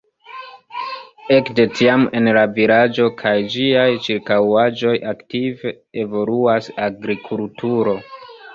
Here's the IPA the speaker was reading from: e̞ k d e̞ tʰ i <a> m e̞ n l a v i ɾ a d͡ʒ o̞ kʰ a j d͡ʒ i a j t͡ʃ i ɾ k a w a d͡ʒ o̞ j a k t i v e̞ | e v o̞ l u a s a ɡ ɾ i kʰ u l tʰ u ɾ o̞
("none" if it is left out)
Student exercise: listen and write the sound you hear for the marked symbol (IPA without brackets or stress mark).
a